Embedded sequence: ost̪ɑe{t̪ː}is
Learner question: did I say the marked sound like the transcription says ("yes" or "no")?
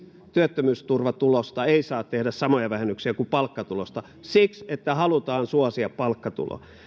no